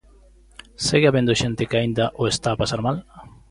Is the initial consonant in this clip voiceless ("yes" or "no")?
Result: yes